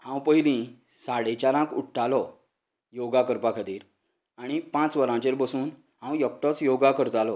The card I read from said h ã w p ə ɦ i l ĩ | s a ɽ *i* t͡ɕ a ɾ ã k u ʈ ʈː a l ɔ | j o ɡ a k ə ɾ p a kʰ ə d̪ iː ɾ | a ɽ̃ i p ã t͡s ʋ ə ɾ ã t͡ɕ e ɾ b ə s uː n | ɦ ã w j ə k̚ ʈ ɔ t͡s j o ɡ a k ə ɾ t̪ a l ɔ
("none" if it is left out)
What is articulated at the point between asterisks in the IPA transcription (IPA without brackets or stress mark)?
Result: e